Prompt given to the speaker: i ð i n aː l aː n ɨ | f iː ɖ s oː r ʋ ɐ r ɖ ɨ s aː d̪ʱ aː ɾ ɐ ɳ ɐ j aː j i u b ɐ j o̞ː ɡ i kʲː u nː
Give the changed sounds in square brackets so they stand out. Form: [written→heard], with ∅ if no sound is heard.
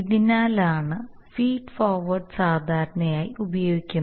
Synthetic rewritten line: i ð i n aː l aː [n→ɳ] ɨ | f iː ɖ [s→f] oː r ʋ ɐ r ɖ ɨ s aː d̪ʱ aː ɾ ɐ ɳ ɐ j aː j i u b ɐ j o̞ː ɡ i kʲː u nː